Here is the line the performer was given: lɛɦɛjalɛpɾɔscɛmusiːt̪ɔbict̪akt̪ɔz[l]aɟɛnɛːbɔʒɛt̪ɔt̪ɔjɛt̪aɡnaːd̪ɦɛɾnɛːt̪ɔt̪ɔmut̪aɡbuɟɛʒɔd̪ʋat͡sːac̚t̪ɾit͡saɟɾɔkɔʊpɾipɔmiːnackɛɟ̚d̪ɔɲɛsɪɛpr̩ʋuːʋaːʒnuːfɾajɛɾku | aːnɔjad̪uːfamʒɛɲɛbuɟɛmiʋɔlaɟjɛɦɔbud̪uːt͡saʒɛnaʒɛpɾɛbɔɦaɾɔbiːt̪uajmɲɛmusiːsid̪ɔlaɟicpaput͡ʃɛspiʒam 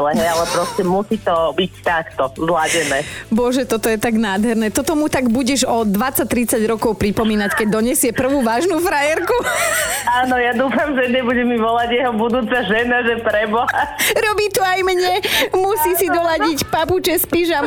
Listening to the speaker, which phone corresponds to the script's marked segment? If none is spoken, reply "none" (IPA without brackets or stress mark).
l